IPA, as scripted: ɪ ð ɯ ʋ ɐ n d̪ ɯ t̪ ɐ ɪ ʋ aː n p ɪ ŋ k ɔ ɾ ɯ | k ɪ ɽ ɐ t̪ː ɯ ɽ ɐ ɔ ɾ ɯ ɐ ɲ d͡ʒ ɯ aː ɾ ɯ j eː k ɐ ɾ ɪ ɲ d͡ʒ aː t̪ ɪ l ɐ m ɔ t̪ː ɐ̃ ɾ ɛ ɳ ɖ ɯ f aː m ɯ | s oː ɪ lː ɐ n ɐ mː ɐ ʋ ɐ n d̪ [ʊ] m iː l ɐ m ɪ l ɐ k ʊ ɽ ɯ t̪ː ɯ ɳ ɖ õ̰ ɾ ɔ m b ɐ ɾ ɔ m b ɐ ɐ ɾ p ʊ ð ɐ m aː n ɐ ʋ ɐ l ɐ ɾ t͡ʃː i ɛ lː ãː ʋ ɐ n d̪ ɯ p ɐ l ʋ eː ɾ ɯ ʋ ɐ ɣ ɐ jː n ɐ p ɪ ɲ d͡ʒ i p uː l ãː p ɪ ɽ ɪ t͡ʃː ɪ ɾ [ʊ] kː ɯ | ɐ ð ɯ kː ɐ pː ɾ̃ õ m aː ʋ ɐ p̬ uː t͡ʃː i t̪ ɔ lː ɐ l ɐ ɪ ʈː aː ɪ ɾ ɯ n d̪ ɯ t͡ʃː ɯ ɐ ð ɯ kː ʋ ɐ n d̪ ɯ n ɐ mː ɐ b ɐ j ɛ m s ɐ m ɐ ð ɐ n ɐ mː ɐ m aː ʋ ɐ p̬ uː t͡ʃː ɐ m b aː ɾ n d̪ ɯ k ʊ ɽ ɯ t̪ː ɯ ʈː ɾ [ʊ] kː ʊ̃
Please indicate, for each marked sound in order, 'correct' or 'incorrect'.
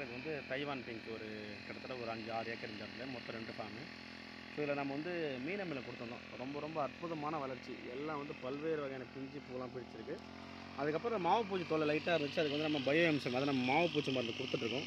incorrect: ɯ, incorrect: ɯ, incorrect: ɯ

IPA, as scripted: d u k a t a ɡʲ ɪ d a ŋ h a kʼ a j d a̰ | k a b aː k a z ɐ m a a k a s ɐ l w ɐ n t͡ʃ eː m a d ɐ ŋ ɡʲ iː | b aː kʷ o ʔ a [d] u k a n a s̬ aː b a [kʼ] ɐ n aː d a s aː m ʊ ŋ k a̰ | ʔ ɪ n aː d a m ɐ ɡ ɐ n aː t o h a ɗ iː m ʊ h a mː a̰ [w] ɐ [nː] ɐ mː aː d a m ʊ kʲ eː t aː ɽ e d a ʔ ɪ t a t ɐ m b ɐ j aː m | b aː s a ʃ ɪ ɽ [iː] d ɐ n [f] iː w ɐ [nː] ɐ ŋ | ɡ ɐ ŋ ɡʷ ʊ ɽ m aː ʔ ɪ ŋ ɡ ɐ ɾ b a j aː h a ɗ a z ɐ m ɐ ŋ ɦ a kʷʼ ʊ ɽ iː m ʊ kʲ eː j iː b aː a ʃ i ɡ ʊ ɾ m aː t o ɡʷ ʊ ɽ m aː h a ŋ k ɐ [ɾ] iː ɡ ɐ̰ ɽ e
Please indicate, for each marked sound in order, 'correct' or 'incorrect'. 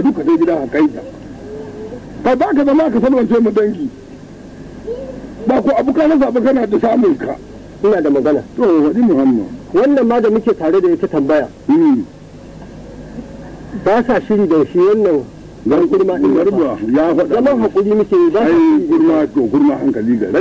incorrect: b, incorrect: k, correct, correct, correct, incorrect: ʃ, correct, incorrect: l

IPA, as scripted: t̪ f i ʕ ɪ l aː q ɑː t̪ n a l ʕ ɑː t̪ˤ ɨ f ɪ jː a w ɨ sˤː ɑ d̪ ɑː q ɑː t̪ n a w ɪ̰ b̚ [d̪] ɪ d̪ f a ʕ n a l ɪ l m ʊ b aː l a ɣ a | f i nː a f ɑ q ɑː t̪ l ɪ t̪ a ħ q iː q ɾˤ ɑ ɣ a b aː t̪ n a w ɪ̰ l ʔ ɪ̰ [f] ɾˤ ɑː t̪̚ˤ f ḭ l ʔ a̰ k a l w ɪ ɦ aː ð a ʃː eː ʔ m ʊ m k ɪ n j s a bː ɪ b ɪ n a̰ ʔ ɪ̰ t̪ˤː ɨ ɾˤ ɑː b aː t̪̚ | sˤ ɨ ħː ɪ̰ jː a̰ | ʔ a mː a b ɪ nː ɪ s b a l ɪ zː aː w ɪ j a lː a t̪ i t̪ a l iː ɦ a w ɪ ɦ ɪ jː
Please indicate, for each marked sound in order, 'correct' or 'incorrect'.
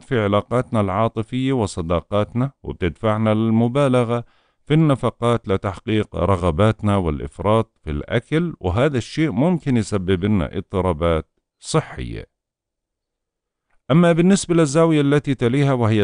incorrect: t̪, correct

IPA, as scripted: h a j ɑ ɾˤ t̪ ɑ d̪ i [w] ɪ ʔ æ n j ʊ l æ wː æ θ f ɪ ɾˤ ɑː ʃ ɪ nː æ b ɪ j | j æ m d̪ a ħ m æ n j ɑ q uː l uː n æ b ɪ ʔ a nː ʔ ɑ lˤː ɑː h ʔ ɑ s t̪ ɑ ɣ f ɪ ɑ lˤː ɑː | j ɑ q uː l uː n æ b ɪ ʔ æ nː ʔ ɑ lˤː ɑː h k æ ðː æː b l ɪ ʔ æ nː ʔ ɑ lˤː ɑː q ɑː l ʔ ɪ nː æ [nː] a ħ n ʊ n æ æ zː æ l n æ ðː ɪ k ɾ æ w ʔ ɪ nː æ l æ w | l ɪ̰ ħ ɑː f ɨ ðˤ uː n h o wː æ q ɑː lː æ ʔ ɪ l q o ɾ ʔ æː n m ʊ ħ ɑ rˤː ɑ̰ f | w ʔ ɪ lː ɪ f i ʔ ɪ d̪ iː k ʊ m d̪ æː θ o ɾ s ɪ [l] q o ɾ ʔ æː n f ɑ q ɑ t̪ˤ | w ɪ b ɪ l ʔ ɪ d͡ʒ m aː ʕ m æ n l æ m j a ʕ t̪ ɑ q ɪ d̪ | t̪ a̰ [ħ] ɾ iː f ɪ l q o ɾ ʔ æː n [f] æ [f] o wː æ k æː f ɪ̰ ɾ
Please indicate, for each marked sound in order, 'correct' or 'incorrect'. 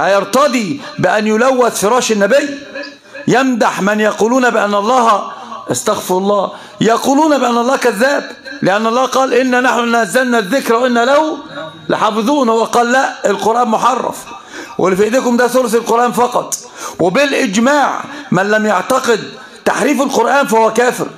incorrect: b, incorrect: n, correct, correct, correct, incorrect: h

